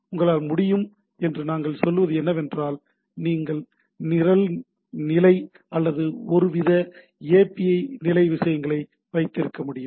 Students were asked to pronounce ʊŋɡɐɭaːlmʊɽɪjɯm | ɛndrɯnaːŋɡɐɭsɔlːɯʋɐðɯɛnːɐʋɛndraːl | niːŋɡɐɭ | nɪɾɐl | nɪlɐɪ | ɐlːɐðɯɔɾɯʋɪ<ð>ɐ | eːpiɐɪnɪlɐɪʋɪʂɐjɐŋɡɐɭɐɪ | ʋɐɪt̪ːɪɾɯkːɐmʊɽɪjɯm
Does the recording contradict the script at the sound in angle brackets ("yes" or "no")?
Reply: no